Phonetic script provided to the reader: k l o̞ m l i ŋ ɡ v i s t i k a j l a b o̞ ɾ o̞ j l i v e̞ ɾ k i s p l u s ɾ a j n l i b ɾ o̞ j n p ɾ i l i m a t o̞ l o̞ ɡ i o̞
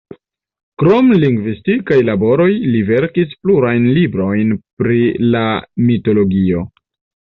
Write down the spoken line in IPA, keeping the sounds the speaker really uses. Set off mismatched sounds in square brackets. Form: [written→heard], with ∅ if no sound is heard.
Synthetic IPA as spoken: k [l→ɾ] o̞ m l i ŋ ɡ v i s t i k a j l a b o̞ ɾ o̞ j l i v e̞ ɾ k i s p l u [s→∅] ɾ a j n l i b ɾ o̞ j n p ɾ i l [i→a] m [a→i] t o̞ l o̞ ɡ i o̞

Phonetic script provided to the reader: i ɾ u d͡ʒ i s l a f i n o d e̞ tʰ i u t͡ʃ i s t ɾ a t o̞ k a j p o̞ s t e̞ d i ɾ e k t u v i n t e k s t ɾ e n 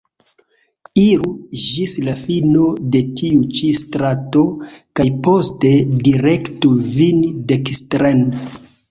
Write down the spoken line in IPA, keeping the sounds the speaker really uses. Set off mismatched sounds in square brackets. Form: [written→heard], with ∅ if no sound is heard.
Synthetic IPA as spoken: i ɾ u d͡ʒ i s l a f i n o d e̞ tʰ i u t͡ʃ i s t ɾ a t o̞ k a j p o̞ s t e̞ d i ɾ e k t u v i n [t→d] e k s t ɾ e n

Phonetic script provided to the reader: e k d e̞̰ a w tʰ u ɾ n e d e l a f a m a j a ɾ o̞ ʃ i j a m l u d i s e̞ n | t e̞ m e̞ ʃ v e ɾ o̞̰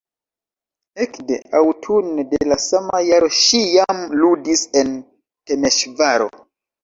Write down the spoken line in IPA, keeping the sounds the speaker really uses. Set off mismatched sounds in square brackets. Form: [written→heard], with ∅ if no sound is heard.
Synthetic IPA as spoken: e k d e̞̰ a w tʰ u [ɾ→∅] n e d e l a [f→s] a m a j a ɾ o̞ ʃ i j a m l u d i s e̞ n | t e̞ m e̞ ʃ v [e→a] ɾ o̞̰

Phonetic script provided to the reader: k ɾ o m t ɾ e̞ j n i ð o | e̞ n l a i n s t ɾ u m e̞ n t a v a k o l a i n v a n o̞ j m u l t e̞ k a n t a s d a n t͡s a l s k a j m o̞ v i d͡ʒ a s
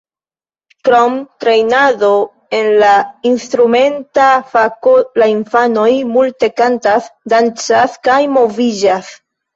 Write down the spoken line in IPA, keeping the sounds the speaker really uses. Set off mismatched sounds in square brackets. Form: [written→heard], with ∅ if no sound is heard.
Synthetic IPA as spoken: k ɾ o m t ɾ e̞ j n [i→a] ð o | e̞ n l a i n s t ɾ u m e̞ n t a [v→f] a k o l a i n [v→f] a n o̞ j m u l t e̞ k a n t a s d a n t͡s a [l→∅] s k a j m o̞ v i d͡ʒ a s

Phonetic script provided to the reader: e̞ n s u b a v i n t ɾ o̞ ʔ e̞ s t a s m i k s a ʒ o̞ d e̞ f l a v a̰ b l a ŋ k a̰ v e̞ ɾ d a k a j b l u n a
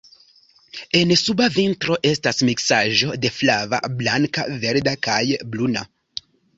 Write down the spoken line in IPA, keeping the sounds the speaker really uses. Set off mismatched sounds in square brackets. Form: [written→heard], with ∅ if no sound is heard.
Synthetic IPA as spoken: e̞ n s u b a v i n t ɾ o̞ ʔ e̞ s t a s m i k s a ʒ o̞ d e̞ f l a v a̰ b l a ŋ k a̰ v e̞ ɾ d a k a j b l u n a

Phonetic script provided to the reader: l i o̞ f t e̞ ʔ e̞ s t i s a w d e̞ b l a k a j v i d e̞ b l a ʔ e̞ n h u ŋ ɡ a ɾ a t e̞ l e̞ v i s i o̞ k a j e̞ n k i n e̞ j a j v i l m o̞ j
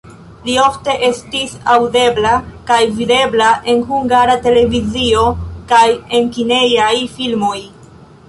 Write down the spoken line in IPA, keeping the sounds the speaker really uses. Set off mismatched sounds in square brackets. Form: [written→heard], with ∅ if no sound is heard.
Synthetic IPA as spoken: l i o̞ f t e̞ ʔ e̞ s t i s a w d e̞ b l a k a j v i d e̞ b l a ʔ e̞ n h u ŋ ɡ a ɾ a t e̞ l e̞ v i [s→z] i o̞ k a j e̞ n k i n e̞ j a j [v→f] i l m o̞ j

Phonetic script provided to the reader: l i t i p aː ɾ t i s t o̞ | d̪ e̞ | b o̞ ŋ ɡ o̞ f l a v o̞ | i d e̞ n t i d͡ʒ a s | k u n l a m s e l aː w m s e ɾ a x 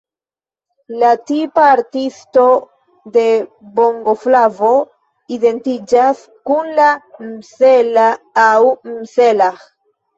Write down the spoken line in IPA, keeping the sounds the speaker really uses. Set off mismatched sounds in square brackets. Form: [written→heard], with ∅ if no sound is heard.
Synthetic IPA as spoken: l [i→a] t i p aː ɾ t i s t o̞ | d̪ e̞ | b o̞ ŋ ɡ o̞ f l a v o̞ | i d e̞ n t i d͡ʒ a s | k u n l a m s e l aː w m s e [ɾ→l] a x

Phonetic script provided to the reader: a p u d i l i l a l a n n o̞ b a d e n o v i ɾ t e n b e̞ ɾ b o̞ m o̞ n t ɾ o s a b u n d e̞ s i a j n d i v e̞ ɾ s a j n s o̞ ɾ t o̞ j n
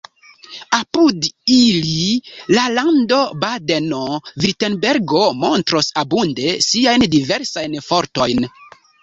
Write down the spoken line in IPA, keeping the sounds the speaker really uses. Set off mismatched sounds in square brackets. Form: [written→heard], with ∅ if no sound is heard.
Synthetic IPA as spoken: a p u d i l i l a l a n [n→d] o̞ b a d e n o v i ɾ t e n b e̞ ɾ [b→ɡ] o̞ m o̞ n t ɾ o s a b u n d e̞ s i a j n d i v e̞ ɾ s a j n [s→f] o̞ ɾ t o̞ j n

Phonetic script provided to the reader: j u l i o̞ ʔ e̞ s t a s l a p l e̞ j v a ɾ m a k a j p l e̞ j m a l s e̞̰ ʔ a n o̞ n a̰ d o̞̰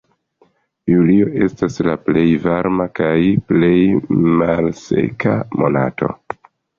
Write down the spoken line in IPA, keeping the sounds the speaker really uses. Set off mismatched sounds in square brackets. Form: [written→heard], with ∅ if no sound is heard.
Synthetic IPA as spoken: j u l i o̞ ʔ e̞ s t a s l a p l e̞ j v a ɾ m a k a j p l e̞ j m a l s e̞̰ [ʔ→k] a [n→m] o̞ n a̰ [d→t] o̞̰

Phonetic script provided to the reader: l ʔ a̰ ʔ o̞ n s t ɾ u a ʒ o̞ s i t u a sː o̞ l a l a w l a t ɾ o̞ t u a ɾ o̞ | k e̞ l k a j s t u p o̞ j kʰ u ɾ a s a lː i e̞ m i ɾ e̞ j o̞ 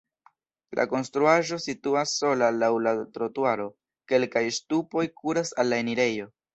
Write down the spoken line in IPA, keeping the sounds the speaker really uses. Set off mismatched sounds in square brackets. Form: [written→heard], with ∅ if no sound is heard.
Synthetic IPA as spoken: l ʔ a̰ [ʔ→k] o̞ n s t ɾ u a ʒ o̞ s i t u a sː o̞ l a l a w l a t ɾ o̞ t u a ɾ o̞ | k e̞ l k a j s t u p o̞ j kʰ u ɾ a s a lː [i→a] e̞ [m→n] i ɾ e̞ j o̞

